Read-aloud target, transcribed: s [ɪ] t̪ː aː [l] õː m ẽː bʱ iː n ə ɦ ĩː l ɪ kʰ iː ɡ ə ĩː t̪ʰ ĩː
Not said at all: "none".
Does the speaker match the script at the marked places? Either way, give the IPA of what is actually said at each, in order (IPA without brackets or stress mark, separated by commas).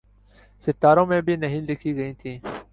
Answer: ɪ, ɾ